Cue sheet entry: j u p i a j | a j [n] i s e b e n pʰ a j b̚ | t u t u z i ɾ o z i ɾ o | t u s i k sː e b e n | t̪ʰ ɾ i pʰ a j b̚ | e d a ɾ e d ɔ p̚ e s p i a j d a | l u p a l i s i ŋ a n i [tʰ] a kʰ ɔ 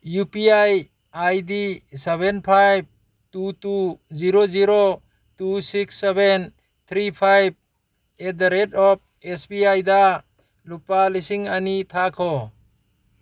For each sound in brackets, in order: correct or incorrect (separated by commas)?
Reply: incorrect, correct